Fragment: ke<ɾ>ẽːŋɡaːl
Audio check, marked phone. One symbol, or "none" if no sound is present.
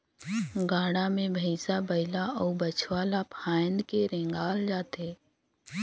ɾ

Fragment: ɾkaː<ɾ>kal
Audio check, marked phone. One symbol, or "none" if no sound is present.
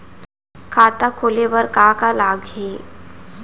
none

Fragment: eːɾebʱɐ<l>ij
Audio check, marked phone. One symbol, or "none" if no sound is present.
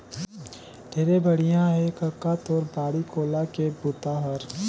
ɽ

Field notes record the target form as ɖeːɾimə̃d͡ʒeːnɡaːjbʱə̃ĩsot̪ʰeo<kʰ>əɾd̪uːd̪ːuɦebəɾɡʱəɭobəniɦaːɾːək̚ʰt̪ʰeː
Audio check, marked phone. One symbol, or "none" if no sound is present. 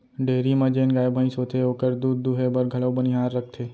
k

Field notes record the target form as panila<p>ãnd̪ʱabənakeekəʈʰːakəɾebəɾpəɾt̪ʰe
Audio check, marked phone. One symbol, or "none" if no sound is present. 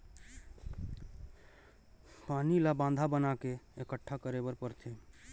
b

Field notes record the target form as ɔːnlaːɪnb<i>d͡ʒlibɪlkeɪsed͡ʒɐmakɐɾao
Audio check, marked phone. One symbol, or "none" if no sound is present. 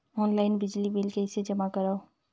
ɪ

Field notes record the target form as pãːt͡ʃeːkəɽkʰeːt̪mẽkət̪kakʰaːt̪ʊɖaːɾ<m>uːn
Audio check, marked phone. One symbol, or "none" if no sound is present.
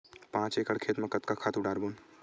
b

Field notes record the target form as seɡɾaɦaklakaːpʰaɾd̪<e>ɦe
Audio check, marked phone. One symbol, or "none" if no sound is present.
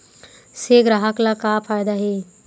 a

